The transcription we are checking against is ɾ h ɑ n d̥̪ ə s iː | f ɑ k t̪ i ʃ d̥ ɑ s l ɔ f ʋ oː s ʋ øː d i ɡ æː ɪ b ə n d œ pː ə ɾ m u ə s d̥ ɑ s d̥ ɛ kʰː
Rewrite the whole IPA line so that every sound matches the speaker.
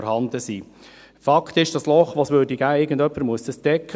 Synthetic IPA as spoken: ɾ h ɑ n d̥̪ ə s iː | f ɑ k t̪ ɪ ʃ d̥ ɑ s l ɔ χ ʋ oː s ʋ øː d i ɡ æː ɪ ɡ ə n d œ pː ə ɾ m u ə s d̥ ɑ s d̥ ɛ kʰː